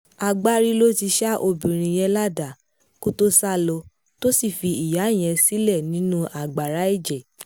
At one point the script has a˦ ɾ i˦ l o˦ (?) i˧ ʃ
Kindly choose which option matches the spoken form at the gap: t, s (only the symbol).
t